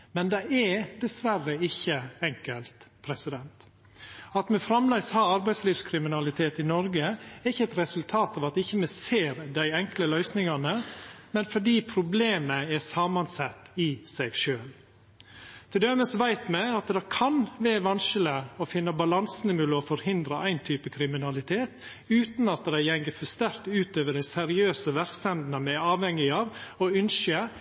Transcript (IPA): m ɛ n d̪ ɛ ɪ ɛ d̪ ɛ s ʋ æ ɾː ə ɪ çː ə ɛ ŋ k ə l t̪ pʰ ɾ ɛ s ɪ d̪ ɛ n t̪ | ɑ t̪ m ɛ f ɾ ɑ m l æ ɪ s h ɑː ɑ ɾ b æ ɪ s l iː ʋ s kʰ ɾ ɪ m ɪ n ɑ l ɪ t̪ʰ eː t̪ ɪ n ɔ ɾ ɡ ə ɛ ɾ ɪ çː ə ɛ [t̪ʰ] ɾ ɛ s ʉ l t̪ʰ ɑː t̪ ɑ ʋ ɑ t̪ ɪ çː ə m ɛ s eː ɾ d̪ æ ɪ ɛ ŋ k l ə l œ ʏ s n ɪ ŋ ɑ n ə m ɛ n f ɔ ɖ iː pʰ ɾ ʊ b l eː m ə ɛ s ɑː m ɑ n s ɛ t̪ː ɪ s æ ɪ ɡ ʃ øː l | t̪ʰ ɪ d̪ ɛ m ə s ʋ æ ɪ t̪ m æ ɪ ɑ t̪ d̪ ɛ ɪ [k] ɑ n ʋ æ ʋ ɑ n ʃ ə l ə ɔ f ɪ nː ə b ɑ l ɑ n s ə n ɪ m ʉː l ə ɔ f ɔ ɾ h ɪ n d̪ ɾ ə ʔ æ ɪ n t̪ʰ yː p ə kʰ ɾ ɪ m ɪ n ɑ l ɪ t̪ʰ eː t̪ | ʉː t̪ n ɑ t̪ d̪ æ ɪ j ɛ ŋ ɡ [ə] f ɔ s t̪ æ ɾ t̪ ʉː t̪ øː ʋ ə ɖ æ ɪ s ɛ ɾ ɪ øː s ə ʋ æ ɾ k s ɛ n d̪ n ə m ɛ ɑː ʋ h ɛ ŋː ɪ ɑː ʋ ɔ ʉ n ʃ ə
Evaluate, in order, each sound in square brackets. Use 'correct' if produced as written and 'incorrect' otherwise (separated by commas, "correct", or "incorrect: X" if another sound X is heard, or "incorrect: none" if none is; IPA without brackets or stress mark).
incorrect: t̪, incorrect: kʰ, correct